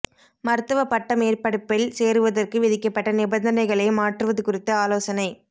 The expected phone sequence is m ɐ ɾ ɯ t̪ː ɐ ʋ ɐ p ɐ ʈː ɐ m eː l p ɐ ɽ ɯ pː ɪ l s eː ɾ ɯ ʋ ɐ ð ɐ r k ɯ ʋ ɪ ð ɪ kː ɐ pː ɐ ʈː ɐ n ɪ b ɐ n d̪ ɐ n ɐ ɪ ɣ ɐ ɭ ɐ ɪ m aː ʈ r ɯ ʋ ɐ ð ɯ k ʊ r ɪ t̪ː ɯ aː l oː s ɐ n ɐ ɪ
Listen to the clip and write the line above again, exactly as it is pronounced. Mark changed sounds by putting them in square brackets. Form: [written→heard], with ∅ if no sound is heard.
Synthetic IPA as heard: m ɐ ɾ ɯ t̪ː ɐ ʋ ɐ p ɐ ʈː ɐ m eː [l→r] p ɐ ɽ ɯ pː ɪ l s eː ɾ ɯ ʋ ɐ ð ɐ r k ɯ ʋ ɪ ð ɪ kː ɐ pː ɐ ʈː ɐ n ɪ b ɐ n d̪ ɐ n ɐ ɪ ɣ ɐ ɭ ɐ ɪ m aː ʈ r ɯ ʋ ɐ ð ɯ k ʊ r ɪ t̪ː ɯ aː l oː s ɐ n ɐ ɪ